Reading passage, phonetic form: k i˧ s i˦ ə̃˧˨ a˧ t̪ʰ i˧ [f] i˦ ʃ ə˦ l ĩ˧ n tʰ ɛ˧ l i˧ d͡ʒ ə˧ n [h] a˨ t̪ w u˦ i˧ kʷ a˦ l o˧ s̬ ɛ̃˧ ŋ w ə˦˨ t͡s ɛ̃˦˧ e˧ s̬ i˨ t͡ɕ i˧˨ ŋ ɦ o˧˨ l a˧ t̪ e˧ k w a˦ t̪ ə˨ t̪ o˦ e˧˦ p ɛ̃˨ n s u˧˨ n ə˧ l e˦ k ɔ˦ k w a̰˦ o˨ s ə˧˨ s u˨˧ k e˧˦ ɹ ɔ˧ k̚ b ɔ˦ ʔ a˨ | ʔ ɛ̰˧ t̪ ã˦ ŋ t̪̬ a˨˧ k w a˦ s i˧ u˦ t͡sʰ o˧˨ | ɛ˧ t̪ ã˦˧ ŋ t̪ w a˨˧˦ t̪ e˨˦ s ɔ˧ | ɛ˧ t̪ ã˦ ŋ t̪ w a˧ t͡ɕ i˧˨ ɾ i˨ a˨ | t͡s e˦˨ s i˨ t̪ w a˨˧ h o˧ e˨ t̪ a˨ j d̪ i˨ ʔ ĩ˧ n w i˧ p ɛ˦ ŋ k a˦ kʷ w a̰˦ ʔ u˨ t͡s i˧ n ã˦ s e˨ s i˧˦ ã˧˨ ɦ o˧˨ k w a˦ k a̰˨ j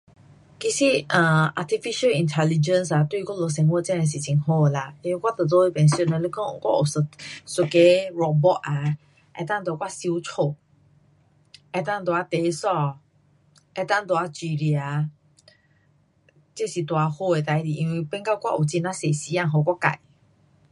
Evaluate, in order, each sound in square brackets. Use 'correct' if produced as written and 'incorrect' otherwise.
correct, incorrect

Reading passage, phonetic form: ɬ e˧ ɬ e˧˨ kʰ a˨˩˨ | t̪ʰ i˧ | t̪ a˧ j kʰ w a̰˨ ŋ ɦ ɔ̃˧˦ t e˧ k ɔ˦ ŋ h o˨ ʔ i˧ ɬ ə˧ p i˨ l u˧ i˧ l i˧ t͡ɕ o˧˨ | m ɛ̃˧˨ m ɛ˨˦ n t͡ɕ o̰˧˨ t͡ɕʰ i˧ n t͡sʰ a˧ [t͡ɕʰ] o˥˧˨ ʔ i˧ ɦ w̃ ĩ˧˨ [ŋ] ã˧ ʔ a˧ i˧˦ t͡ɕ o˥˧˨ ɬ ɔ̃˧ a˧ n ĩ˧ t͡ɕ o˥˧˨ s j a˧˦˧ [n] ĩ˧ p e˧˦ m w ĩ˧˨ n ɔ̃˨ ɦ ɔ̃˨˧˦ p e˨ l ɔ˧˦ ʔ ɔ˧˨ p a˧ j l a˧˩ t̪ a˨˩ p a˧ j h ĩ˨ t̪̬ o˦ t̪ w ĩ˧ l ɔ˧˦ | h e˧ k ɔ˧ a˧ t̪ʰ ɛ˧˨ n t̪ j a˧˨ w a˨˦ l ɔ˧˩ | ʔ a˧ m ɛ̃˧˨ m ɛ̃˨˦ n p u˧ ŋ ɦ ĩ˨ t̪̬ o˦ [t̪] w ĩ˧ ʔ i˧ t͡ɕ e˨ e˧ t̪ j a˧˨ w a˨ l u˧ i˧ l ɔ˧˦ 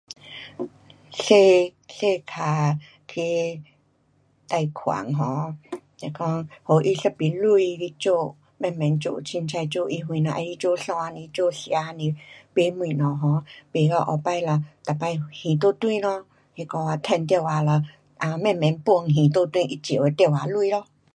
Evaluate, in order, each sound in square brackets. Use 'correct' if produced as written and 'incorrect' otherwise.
incorrect, incorrect, correct, correct

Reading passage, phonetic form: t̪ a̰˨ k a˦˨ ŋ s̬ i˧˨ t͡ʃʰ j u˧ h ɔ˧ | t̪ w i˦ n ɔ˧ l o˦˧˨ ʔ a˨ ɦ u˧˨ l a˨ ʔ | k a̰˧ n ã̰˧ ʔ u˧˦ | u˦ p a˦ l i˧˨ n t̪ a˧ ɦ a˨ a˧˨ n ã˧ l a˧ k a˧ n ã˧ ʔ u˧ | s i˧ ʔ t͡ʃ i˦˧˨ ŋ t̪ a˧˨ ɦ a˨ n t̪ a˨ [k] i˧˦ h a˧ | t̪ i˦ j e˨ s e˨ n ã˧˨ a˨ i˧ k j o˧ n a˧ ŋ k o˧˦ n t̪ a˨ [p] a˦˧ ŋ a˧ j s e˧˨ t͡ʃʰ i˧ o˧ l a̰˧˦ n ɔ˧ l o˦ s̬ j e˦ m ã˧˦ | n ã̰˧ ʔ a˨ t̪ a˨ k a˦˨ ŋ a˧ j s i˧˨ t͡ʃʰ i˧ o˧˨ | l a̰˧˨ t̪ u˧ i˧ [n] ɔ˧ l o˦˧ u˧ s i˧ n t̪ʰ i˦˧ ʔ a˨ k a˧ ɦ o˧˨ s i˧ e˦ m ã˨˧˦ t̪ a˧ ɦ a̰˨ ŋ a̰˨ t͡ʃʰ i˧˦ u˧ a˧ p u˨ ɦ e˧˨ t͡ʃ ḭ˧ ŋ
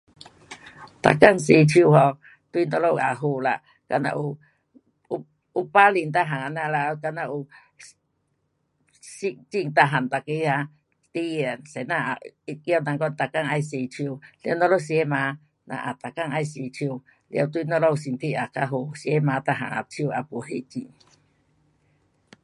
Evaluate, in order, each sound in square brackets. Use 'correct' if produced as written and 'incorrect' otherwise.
correct, incorrect, correct

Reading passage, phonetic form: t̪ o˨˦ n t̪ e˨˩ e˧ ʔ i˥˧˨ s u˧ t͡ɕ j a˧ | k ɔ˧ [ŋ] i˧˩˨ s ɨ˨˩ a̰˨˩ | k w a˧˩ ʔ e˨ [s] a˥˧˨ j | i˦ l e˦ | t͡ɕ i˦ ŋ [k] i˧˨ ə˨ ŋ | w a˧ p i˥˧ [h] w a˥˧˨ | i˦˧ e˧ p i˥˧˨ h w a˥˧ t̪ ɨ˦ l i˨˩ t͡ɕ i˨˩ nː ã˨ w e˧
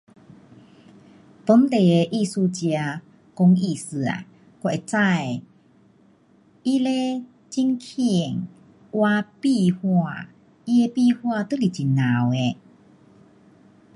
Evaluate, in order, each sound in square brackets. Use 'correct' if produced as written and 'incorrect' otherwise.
correct, incorrect, incorrect, correct

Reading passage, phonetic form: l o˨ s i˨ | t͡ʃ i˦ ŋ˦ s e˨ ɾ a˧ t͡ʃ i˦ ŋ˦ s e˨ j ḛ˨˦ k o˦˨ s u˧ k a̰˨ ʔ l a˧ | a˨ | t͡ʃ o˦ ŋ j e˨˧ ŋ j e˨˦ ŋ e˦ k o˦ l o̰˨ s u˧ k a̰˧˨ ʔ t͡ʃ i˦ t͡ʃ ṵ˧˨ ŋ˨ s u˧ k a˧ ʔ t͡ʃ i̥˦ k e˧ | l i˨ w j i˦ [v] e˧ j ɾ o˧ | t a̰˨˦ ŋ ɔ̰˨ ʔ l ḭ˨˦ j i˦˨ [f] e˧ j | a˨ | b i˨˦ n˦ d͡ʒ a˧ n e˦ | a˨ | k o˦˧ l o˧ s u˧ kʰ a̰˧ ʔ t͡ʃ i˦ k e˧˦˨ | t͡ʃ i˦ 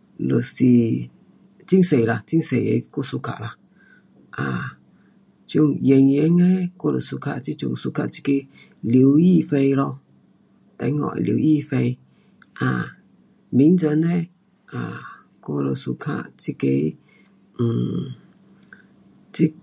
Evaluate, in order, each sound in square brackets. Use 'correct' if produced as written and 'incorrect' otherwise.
incorrect, correct

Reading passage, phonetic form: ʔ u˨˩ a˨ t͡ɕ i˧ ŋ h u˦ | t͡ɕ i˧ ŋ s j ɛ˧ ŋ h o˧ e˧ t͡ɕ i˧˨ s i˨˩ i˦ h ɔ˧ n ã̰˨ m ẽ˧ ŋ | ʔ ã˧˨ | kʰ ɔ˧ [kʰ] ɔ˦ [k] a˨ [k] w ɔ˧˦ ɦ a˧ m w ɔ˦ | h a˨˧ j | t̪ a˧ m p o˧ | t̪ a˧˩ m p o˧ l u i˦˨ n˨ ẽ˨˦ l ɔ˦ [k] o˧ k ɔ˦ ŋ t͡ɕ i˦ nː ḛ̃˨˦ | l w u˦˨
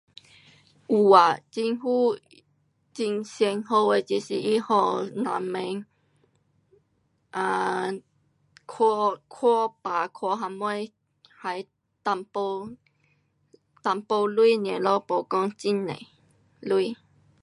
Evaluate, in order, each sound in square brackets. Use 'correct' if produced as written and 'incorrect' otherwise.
correct, incorrect, incorrect, incorrect

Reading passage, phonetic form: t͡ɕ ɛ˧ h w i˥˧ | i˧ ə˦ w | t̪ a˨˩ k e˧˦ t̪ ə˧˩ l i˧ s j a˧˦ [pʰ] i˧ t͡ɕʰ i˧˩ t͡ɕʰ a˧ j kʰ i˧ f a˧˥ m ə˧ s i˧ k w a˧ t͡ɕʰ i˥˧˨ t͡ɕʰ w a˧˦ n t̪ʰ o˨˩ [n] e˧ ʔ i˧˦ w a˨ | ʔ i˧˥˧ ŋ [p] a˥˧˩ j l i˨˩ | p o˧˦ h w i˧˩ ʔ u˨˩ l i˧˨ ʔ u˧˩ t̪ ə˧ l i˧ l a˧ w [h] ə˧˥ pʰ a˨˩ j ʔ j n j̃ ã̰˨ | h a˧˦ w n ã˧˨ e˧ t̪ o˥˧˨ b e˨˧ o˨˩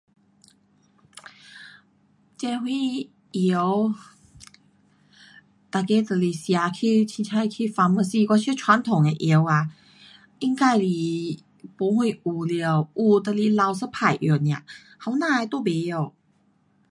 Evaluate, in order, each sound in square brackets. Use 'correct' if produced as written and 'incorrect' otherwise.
incorrect, incorrect, incorrect, incorrect

